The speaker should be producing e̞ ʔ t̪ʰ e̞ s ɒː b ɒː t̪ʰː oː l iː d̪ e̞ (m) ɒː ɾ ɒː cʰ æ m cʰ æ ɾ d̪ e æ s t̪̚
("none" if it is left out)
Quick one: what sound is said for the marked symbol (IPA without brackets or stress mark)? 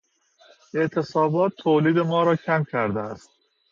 m